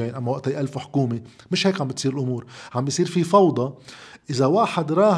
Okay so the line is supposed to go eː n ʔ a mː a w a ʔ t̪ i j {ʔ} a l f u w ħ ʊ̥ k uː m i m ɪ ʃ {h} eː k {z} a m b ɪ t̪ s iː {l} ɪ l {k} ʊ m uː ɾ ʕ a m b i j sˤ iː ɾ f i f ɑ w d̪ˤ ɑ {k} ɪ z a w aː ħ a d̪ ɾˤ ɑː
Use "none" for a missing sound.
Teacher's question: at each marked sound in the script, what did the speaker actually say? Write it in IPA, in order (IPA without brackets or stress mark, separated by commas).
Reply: ʔ, h, ʕ, ɾ, ʔ, ʔ